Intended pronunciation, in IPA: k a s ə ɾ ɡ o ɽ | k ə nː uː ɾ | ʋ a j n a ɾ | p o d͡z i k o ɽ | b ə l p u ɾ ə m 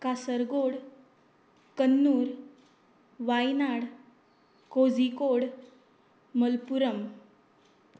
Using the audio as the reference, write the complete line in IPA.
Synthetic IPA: k a s ə ɾ ɡ o ɽ | k ə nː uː ɾ | ʋ a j n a ɽ | k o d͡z i k o ɽ | m ə l p u ɾ ə m

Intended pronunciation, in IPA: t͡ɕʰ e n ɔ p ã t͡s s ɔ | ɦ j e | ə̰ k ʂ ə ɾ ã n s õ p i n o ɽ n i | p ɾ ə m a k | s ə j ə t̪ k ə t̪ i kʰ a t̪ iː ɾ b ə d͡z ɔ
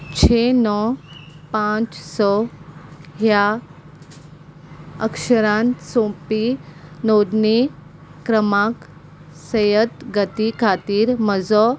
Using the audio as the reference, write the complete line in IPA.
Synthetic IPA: t͡ɕʰ e n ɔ p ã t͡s s ɔ | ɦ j a | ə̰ k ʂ ə ɾ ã n s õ p i n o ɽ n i | k ɾ ə m a k | s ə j ə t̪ ɡ ə t̪ i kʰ a t̪ iː ɾ m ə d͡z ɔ

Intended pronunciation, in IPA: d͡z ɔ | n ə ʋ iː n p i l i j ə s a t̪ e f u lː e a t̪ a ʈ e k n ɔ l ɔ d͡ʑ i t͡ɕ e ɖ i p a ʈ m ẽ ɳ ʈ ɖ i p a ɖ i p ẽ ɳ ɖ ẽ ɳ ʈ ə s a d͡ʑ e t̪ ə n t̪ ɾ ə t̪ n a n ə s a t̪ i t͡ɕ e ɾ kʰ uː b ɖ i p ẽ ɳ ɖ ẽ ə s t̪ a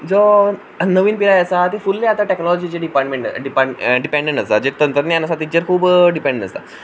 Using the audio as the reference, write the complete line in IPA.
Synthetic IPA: d͡z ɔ | n ə ʋ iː n p i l a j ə s a t̪ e f u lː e a t̪ a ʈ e k n ɔ l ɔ d͡ʑ i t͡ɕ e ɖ i p a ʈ m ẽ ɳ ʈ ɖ i p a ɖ i p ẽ ɳ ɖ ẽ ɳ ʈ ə s a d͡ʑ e t̪ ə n t̪ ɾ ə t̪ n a n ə s a t̪ i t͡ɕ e ɾ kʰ uː b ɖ i p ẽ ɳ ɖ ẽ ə s t̪ a

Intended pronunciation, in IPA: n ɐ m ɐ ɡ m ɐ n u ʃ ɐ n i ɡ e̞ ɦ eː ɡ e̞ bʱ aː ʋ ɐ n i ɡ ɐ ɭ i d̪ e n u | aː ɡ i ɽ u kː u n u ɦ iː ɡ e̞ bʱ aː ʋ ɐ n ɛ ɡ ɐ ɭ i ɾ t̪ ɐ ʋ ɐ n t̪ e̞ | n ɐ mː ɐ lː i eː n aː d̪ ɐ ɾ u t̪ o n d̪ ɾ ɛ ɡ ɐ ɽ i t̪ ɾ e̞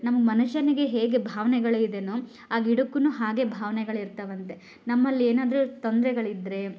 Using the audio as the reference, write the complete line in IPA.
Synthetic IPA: n ɐ m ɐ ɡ m ɐ n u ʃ ɐ n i ɡ e̞ ɦ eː ɡ e̞ bʱ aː ʋ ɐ n ɛ ɡ ɐ ɭ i d̪ e n u | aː ɡ i ɽ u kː u n u ɦ aː ɡ e̞ bʱ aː ʋ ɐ n ɛ ɡ ɐ ɭ i ɾ t̪ ɐ ʋ ɐ n t̪ e̞ | n ɐ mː ɐ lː i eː n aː d̪ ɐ ɾ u t̪ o n d̪ ɾ ɛ ɡ ɐ ɭ i d̪ ɾ e̞

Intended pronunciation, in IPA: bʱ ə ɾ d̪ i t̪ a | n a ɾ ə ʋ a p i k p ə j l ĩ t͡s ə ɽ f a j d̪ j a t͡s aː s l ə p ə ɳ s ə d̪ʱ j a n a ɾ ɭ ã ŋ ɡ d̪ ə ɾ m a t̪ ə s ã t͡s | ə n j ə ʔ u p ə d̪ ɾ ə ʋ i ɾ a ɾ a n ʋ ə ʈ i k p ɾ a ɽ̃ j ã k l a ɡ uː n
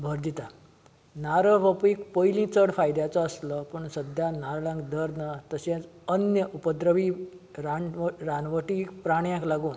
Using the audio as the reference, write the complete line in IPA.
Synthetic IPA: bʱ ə ɾ d̪ i t̪ a | n a ɾ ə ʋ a p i k p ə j l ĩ t͡s ə ɽ f a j d̪ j a t͡s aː s l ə p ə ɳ s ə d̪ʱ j a n a ɾ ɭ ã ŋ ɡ d̪ ə ɾ n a t̪ ə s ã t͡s | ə n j ə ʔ u p ə d̪ ɾ ə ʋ i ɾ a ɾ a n ʋ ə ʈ i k p ɾ a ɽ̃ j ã k l a ɡ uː n

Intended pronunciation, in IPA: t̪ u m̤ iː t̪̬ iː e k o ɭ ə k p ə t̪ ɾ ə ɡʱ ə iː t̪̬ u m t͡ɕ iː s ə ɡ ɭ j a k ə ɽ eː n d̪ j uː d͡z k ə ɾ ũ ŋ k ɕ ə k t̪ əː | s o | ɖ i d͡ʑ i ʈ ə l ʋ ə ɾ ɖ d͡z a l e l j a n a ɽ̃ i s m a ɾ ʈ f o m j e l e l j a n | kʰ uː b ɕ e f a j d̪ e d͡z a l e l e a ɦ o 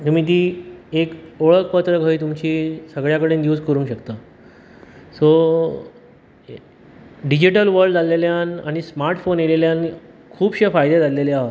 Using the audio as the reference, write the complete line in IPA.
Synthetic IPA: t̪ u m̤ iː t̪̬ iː e k o ɭ ə k p ə t̪ ɾ ə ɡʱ ə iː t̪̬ u m t͡ɕ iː s ə ɡ ɭ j a k ə ɽ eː n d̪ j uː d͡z k ə ɾ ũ ŋ k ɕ ə k t̪ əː | s o | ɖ i d͡ʑ i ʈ ə l ʋ ə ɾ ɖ d͡z a l e l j a n a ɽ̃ i s m a ɾ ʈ f o n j e l e l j a n | kʰ uː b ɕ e f a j d̪ e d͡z a l e l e a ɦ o

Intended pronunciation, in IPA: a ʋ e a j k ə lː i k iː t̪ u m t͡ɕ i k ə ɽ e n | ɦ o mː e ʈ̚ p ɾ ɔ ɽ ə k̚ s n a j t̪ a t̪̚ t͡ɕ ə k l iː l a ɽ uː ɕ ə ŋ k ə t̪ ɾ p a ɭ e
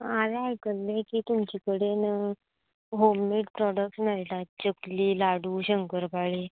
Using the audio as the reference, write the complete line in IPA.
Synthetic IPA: a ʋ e a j k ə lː e k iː t̪ u m t͡ɕ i k ə ɽ e n | ɦ o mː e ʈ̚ p ɾ ɔ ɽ ə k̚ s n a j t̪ a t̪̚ t͡ɕ ə k l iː l a ɽ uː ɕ ə ŋ k ə ɾ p a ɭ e

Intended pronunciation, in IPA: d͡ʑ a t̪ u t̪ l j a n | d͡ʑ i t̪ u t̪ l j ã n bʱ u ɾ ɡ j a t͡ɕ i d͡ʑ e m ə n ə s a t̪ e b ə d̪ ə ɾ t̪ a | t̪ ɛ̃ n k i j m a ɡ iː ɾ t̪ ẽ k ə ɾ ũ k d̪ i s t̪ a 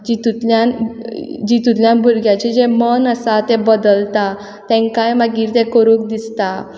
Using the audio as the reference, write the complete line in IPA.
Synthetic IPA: d͡ʑ i t̪ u t̪ l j a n | d͡ʑ i t̪ u t̪ l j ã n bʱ u ɾ ɡ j a t͡ɕ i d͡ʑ e m ə n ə s a t̪ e b ə d̪ ə l t̪ a | t̪ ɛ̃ ŋ k a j m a ɡ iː ɾ t̪ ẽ k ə ɾ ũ k d̪ i s t̪ a

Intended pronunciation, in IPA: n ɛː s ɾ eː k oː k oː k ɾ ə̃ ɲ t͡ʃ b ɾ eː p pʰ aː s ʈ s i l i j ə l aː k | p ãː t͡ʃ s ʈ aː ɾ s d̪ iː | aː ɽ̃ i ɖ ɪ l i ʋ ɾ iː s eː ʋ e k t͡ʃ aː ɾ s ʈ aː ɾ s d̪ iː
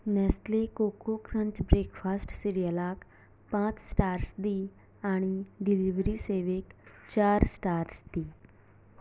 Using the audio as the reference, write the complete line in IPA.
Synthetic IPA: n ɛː s l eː k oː k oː k ɾ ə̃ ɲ t͡ʃ b ɾ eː k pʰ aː s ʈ s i ɾ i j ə l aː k | p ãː t͡ʃ s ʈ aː ɾ s d̪ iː | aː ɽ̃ i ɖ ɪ l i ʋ ɾ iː s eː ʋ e k t͡ʃ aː ɾ s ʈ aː ɾ s d̪ iː

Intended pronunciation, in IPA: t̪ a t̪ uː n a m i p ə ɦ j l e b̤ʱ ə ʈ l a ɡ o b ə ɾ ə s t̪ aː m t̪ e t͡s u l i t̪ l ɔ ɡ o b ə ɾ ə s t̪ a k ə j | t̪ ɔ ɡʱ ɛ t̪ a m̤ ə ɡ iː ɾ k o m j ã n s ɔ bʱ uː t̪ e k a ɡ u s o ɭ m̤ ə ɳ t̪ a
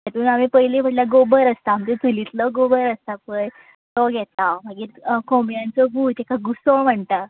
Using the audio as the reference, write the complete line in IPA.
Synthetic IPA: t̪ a t̪ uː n a m i p ə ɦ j l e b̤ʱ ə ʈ l a ɡ o b ə ɾ ə s t̪ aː m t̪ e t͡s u l i t̪ l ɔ ɡ o b ə ɾ ə s t̪ a p ə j | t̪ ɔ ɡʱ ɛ t̪ a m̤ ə ɡ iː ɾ k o m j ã n t͡s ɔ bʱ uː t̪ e k a ɡ u s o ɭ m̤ ə ɳ t̪ a

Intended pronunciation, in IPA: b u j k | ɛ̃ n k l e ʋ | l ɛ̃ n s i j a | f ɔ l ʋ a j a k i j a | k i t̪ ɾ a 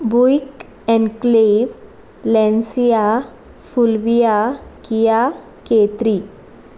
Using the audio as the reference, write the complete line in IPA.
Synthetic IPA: b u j k | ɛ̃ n k l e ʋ | l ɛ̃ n s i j a | f u l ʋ i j a k i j a | k e t̪ ɾ i

